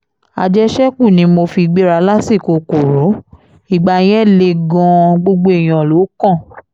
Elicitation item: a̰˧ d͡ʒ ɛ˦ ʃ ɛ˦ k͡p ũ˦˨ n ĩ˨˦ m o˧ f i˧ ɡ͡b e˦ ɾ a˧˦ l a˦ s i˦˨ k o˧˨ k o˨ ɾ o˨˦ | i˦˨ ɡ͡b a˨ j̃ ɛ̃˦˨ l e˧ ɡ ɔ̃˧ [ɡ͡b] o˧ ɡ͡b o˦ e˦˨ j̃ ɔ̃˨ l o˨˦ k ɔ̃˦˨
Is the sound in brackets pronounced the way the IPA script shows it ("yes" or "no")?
yes